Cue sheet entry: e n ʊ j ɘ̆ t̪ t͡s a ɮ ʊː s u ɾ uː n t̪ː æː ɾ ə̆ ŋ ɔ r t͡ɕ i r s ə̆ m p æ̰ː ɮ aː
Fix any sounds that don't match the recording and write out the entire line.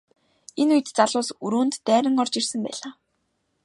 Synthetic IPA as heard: e n u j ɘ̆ t̪ t͡s a ɮ ʊː s u ɾ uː n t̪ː æː ɾ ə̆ ŋ ɔ r t͡ɕ i r s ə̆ m p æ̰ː ɮ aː